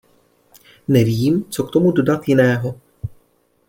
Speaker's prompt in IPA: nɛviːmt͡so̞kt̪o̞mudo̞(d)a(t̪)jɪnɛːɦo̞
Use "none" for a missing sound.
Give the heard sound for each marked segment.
d, t̪

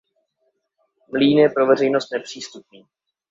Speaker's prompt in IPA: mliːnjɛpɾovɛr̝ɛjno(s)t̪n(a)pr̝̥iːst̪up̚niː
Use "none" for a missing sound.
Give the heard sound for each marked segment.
s, ɛ

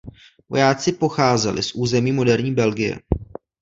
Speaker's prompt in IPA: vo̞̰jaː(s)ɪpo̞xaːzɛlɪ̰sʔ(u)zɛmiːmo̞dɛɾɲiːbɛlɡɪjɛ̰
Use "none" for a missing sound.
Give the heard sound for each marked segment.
t͡s, uː

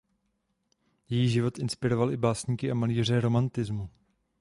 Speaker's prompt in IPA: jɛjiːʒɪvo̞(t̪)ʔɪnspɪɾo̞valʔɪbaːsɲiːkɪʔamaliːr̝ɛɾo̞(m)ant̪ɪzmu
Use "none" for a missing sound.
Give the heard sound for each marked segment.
t̪, m

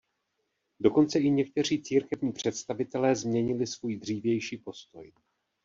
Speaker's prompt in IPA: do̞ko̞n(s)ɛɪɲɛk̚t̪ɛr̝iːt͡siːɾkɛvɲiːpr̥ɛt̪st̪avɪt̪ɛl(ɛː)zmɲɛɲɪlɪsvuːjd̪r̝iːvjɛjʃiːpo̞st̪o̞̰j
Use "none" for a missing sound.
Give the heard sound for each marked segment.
t͡s, ɛː

